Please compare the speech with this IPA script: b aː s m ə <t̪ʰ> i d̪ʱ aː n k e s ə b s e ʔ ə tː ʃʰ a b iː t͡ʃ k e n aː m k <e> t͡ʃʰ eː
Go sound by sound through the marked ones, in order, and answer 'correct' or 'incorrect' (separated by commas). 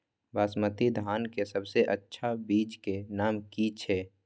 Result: incorrect, incorrect